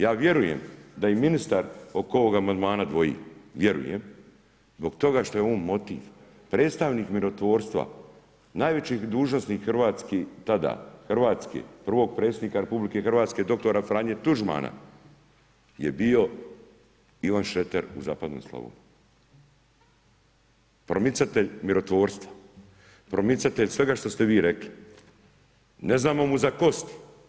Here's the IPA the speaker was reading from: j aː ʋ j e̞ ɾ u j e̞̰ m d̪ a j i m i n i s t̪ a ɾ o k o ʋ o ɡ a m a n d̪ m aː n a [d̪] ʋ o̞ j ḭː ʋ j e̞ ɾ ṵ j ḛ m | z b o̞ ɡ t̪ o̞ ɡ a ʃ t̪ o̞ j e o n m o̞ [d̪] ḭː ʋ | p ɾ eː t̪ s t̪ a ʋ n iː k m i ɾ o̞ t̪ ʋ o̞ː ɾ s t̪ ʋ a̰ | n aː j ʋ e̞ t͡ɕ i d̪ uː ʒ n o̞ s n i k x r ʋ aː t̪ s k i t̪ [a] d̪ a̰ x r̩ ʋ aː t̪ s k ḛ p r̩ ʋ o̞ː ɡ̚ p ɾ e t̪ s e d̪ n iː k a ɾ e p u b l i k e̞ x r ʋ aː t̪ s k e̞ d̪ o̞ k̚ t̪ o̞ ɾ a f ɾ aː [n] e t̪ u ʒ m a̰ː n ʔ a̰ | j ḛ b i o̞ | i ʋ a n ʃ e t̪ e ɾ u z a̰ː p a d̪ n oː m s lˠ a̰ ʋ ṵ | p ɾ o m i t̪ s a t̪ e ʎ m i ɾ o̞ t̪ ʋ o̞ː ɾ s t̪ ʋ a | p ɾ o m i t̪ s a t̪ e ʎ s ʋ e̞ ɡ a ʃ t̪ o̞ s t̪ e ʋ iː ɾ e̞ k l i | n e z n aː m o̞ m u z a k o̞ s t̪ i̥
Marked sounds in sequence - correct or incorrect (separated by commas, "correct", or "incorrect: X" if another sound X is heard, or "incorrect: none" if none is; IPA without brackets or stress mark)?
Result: correct, incorrect: t̪, correct, incorrect: ɲ